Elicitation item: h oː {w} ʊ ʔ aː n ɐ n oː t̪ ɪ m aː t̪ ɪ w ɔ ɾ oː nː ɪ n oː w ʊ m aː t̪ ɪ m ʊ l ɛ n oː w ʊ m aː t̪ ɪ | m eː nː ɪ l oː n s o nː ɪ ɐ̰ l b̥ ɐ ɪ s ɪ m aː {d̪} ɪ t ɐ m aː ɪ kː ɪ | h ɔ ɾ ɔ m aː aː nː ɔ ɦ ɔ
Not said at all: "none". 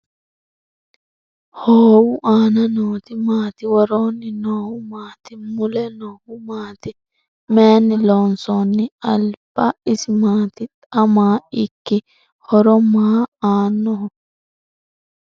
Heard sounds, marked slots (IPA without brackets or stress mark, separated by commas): w, t̪